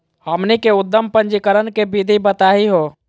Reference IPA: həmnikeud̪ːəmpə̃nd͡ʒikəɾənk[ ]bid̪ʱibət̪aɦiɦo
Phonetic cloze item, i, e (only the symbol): e